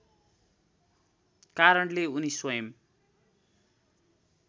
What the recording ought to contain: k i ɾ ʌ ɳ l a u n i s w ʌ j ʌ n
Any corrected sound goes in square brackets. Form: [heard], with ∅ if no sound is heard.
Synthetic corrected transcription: k [a] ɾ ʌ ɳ l [e] u n i s w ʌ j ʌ [m]